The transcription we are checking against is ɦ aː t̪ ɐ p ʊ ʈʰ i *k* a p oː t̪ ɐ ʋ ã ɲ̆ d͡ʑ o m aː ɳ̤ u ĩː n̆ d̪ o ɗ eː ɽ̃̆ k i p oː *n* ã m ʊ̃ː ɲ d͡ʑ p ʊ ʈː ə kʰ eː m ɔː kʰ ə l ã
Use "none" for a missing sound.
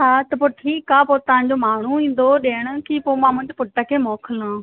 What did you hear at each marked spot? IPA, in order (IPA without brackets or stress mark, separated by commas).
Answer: k, m